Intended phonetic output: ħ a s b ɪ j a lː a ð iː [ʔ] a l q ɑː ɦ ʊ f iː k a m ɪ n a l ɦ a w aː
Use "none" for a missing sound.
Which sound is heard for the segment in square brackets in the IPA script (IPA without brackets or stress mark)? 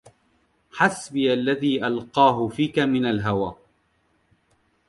ʔ